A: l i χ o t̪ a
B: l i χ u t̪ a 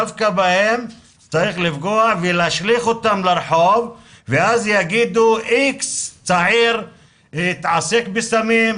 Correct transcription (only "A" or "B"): A